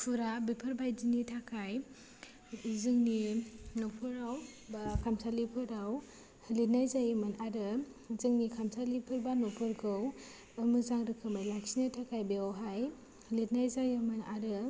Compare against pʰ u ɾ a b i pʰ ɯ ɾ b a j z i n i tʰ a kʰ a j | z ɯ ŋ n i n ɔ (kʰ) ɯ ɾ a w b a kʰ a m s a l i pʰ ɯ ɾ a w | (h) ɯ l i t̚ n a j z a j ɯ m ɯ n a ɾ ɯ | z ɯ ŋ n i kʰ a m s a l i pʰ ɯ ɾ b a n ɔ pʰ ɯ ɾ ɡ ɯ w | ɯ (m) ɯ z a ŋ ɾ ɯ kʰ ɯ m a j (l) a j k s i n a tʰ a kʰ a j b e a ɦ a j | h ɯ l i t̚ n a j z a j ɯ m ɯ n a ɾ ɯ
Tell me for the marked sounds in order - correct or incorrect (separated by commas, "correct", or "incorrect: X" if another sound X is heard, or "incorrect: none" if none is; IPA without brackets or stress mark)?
incorrect: pʰ, correct, correct, correct